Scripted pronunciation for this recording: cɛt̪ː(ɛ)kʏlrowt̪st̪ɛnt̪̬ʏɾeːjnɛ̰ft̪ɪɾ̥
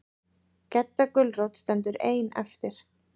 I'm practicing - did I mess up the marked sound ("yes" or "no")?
yes